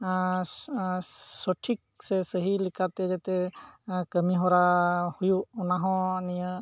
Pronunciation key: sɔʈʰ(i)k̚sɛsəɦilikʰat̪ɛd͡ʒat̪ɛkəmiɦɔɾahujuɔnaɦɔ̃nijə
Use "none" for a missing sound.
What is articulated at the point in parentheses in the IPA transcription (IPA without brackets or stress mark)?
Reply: i